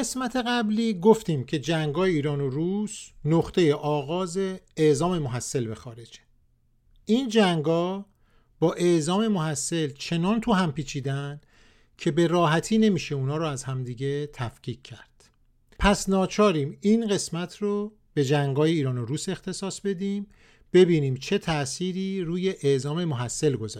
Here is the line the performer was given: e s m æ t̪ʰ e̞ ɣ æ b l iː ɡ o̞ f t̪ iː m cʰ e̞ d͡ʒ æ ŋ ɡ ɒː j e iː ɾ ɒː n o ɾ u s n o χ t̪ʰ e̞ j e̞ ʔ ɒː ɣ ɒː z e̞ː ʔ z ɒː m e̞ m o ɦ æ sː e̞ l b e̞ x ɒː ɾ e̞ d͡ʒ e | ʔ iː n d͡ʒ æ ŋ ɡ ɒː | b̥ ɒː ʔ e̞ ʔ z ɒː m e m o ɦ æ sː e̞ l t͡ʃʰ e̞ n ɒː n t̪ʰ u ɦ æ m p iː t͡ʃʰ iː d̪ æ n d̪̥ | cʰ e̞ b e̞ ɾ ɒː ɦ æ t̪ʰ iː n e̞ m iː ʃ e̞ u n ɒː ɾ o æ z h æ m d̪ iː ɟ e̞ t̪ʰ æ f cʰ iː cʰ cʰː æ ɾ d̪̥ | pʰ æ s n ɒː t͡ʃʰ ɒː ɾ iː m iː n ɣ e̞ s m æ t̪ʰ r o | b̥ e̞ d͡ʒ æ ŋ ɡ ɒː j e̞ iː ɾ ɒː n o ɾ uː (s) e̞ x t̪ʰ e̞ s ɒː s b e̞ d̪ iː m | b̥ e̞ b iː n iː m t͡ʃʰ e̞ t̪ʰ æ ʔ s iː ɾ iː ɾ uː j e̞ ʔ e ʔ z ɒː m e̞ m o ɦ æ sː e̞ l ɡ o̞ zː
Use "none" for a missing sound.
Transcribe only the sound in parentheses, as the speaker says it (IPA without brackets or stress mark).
s